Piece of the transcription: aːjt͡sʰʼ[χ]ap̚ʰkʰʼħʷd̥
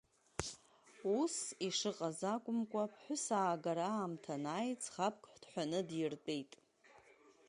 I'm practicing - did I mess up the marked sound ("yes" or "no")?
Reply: no